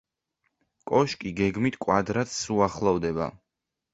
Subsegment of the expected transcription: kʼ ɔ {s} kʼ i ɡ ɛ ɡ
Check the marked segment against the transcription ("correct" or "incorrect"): incorrect